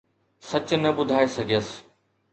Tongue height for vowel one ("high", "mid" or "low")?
low